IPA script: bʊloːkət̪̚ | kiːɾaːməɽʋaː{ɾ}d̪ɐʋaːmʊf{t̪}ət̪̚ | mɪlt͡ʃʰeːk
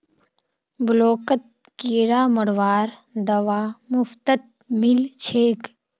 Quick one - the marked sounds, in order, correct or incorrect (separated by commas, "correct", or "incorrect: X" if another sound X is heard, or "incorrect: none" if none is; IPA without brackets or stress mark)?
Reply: correct, correct